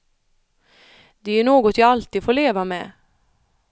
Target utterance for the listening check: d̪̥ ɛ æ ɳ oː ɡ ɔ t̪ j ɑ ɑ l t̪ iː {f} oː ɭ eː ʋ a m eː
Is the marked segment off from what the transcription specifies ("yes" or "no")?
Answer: no